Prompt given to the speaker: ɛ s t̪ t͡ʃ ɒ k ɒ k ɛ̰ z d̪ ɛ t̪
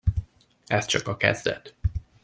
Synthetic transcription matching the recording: ɛ s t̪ t͡ʃ ɒ k ɒ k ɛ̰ z d̪ ɛ t̪